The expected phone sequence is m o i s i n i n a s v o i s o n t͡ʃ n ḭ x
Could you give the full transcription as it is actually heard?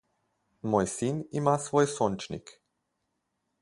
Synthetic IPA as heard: m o j s i n i m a s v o j s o n t͡ʃ n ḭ k